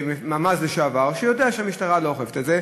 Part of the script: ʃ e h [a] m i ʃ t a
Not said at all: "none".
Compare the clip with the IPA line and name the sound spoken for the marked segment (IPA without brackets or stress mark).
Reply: a